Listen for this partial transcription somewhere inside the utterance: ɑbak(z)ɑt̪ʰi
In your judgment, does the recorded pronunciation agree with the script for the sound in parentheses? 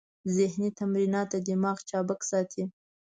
no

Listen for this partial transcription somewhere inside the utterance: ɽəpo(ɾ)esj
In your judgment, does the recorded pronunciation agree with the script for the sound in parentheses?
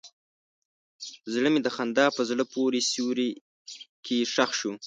yes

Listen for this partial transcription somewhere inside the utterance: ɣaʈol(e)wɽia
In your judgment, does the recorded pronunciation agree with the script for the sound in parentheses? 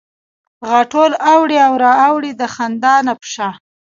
no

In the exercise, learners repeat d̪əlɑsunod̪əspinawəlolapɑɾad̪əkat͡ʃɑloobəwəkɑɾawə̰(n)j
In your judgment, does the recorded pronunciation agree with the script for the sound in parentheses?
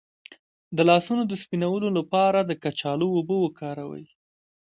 no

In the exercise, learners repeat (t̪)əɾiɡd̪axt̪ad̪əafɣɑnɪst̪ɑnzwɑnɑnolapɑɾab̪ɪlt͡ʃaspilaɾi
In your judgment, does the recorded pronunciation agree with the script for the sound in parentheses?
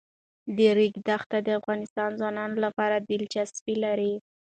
no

